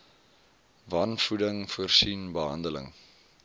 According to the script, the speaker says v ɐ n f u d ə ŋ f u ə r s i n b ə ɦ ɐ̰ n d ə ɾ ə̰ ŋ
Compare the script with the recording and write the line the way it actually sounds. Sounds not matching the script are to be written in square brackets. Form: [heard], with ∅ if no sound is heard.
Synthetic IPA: v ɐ n f u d ə ŋ f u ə r s i n b ə ɦ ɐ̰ n d ə [l] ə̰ ŋ